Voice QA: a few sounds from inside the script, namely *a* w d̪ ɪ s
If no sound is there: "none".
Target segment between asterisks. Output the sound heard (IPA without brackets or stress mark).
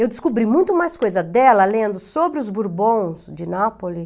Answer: e